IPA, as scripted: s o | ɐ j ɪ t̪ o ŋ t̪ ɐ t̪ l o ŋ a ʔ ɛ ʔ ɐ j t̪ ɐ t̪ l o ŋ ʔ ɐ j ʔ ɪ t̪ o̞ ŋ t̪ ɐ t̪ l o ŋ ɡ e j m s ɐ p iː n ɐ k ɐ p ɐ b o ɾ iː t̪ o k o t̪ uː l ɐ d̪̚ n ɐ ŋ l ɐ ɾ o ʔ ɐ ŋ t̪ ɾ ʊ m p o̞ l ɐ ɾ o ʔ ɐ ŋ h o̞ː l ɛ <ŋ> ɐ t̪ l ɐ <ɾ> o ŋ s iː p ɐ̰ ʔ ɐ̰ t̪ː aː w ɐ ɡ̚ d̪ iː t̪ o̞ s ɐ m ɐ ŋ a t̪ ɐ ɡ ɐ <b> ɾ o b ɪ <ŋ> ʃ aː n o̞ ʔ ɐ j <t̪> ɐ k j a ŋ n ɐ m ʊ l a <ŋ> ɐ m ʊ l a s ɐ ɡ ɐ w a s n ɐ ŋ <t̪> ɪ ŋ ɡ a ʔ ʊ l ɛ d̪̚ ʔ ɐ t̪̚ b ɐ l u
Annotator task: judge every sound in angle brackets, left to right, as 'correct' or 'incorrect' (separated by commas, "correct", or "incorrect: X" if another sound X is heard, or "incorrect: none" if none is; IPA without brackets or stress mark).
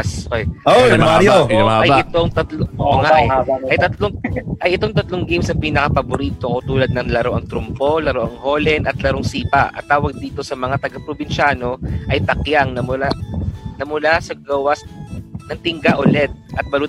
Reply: incorrect: n, correct, incorrect: p, incorrect: n, correct, incorrect: n, correct